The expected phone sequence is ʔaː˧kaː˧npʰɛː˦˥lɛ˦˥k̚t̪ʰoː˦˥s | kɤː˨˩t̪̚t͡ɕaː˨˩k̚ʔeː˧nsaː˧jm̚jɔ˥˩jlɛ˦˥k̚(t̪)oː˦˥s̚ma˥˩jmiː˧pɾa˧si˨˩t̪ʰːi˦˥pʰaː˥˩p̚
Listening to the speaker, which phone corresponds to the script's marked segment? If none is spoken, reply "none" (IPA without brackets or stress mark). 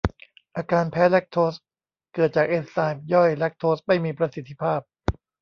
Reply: t̪ʰ